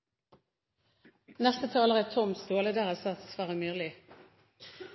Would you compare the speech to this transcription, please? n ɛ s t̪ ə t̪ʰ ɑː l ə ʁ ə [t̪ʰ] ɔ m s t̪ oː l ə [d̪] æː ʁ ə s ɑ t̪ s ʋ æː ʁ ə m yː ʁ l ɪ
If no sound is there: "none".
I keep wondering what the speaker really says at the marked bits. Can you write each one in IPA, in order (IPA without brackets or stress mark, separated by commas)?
t̪ʰ, d̪